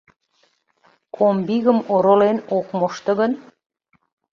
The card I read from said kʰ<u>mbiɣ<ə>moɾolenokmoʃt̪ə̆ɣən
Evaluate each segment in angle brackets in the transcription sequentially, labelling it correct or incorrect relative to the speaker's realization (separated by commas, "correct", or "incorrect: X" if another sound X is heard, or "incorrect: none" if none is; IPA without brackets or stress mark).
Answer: incorrect: o, correct